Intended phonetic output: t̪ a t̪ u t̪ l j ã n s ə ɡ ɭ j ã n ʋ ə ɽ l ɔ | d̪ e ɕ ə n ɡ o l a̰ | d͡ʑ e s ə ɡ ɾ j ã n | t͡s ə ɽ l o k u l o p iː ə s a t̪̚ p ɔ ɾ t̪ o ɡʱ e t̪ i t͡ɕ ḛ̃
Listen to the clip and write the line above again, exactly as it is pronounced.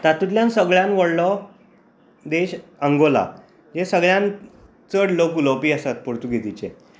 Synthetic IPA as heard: t̪ a t̪ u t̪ l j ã n s ə ɡ ɭ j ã n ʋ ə ɽ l ɔ | d̪ e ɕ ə ŋ ɡ o l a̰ | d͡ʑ e s ə ɡ ɭ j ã n | t͡s ə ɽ l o k u l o p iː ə s a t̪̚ p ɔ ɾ t̪ u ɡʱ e t̪ i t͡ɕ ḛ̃